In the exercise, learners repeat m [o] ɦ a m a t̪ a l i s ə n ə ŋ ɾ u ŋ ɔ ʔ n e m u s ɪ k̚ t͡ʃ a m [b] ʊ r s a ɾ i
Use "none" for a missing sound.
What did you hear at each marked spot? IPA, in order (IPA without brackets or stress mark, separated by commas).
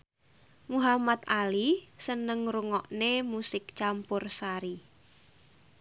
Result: u, p